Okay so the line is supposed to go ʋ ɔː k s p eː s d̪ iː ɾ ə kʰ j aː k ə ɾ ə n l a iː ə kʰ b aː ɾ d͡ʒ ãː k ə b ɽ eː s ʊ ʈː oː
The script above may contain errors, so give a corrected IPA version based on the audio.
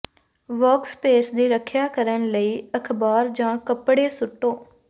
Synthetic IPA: ʋ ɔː k s p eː s d̪ iː ɾ ə kʰ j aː k ə ɾ ə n l ə iː ə kʰ b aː ɾ d͡ʒ ãː k ə p ɽ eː s ʊ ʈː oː